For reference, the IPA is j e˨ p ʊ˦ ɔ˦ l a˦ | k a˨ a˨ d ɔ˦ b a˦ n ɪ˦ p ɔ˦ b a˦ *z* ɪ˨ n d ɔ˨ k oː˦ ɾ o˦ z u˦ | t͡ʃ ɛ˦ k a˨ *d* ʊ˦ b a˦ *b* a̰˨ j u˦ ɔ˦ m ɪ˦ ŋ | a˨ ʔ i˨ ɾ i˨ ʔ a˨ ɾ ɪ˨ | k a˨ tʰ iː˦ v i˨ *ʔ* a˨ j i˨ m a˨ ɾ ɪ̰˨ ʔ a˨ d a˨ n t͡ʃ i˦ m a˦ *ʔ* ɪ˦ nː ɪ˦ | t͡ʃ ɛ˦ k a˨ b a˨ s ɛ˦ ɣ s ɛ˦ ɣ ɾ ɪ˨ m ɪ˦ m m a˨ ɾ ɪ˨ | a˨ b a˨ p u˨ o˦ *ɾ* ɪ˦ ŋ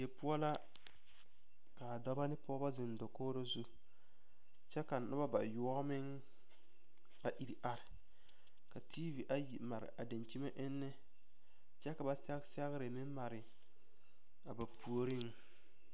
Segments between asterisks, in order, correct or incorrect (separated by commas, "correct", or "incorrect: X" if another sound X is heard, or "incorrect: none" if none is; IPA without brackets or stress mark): correct, incorrect: n, correct, correct, correct, correct